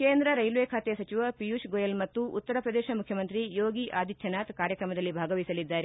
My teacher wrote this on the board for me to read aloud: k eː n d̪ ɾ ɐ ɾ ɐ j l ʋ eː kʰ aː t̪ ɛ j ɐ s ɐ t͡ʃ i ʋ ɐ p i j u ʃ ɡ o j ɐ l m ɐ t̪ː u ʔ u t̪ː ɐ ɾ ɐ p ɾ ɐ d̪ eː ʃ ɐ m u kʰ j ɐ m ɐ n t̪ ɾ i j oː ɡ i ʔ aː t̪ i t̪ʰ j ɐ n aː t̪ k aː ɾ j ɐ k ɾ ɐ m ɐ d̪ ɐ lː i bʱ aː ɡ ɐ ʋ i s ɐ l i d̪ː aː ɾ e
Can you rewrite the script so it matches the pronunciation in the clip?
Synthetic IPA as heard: k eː n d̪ ɾ ɐ ɾ ɐ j l ʋ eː kʰ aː t̪ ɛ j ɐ s ɐ t͡ʃ i ʋ ɐ p i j u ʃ ɡ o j ɐ l m ɐ t̪ː u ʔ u t̪ː ɐ ɾ ɐ p ɾ ɐ d̪ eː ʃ ɐ m u kʰ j ɐ m ɐ n t̪ ɾ i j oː ɡ i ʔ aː d̪ i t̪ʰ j ɐ n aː t̪ k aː ɾ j ɐ k ɾ ɐ m ɐ d̪ ɐ lː i bʱ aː ɡ ɐ ʋ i s ɐ l i d̪ː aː ɾ e